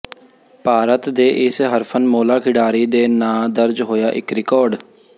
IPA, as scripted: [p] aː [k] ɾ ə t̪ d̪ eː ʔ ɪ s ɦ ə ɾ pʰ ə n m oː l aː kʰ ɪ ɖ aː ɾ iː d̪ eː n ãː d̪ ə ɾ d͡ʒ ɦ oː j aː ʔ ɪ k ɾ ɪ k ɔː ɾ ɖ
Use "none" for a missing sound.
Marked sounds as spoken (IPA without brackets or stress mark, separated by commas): p, none